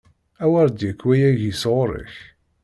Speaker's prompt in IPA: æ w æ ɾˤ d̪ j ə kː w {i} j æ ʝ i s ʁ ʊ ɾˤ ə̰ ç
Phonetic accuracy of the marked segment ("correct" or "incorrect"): incorrect